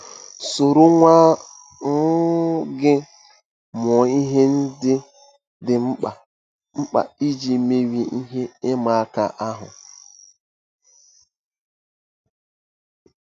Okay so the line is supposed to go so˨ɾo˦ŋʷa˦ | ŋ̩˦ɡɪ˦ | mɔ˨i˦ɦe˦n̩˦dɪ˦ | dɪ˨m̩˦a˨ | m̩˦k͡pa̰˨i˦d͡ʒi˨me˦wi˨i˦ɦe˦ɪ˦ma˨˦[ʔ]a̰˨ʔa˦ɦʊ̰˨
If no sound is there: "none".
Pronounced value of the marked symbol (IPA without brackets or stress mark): k